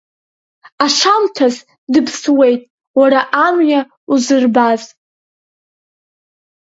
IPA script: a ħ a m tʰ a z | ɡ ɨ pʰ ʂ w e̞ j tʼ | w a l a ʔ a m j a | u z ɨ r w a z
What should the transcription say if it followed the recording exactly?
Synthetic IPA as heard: a ʂ a m tʰ a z | d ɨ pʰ s w e̞ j tʼ | w a ɾ a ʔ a m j a | u z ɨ r b a z